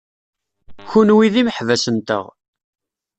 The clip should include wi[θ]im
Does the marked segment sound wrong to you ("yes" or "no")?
yes